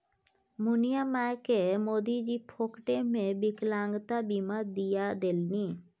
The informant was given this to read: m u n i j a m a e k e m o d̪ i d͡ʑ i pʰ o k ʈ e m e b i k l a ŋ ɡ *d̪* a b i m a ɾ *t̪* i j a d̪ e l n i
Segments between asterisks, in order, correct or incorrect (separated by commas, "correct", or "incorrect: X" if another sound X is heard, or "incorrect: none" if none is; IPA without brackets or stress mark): incorrect: t̪, incorrect: d̪